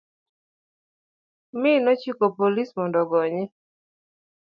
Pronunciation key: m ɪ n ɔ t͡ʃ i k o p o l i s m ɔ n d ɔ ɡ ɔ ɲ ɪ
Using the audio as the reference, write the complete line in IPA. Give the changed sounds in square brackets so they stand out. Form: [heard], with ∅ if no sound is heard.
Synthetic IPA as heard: m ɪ n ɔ t͡ʃ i k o p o l i s m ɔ n d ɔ ɡ ɔ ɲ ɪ